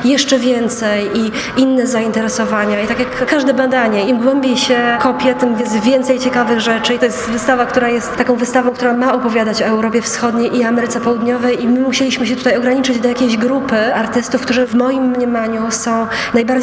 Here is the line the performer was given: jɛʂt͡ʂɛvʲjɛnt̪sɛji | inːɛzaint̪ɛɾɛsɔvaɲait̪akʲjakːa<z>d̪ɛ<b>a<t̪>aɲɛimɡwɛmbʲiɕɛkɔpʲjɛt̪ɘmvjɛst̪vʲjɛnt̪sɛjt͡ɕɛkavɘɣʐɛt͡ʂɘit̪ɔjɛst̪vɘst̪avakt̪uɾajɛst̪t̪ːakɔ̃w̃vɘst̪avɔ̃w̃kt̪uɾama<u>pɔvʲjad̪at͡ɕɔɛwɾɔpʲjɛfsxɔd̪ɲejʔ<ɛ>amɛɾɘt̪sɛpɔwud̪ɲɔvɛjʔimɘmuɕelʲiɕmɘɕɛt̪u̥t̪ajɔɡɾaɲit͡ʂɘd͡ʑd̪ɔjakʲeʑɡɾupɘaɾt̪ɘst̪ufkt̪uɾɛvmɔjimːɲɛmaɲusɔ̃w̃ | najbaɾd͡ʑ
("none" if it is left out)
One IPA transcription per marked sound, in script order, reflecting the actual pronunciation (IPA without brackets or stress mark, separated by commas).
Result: ʐ, b, d̪, ɔ, i